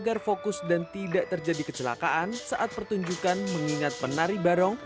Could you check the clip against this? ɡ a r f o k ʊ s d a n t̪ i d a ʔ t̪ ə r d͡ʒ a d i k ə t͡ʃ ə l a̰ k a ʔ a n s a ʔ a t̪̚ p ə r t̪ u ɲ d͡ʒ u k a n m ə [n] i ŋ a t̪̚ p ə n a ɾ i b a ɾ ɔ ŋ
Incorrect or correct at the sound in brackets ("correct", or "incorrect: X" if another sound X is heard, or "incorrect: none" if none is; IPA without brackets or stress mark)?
incorrect: ŋ